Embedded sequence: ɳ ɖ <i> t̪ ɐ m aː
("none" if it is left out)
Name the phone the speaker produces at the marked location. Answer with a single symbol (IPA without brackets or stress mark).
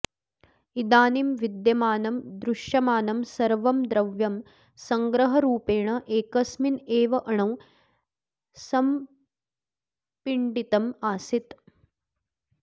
i